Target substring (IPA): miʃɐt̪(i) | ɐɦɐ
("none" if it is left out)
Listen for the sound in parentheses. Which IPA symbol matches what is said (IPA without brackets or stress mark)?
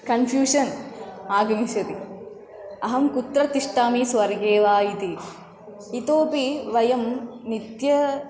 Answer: i